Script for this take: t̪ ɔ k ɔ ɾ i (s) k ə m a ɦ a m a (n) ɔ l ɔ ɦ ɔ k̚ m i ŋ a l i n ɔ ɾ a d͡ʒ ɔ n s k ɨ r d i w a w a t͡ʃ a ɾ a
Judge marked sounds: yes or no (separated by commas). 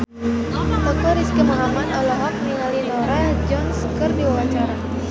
yes, yes